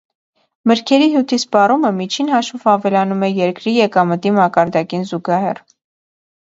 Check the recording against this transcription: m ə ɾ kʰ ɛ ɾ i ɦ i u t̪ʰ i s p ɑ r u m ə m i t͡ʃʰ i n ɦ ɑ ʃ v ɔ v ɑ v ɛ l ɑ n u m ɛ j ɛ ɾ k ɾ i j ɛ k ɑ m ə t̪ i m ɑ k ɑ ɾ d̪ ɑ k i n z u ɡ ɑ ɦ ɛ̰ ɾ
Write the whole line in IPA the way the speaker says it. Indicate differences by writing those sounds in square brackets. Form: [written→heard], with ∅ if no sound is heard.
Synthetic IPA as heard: m ə ɾ kʰ ɛ ɾ i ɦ [i→j] u t̪ʰ i s p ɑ r u m ə m i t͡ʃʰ i n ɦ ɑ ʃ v ɔ v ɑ v ɛ l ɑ n u m ɛ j ɛ ɾ k ɾ i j ɛ k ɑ m ə t̪ i m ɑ k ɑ ɾ d̪ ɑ k i n z u ɡ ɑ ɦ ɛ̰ [ɾ→r]